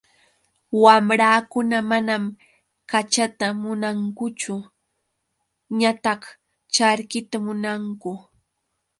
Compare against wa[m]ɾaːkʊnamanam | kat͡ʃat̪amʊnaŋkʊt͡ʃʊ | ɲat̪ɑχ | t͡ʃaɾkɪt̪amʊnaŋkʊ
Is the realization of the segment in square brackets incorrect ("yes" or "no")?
no